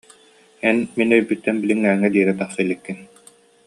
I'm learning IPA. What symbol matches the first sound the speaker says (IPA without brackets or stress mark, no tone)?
ɛ